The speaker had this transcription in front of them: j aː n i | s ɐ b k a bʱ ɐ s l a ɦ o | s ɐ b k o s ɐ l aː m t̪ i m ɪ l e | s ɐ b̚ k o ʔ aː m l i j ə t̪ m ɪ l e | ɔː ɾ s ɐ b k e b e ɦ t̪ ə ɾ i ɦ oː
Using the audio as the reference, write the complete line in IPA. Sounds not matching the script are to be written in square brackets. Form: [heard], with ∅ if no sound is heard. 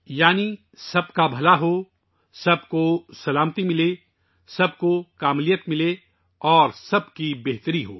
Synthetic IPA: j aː n i | s ɐ b k a bʱ ɐ [∅] l a ɦ o | s ɐ b k o s ɐ l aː m t̪ i m ɪ l e | s ɐ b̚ k o [k] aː m l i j ə t̪ m ɪ l e | ɔː ɾ s ɐ b k [i] b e ɦ t̪ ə ɾ i ɦ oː